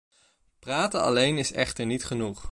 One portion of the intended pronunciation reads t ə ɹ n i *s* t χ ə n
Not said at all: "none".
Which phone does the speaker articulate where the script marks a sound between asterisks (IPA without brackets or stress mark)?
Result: none